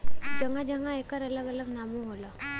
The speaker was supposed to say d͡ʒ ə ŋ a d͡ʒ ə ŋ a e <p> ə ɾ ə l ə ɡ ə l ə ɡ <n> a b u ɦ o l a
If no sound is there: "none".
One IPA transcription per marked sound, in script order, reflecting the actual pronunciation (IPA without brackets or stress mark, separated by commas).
k, n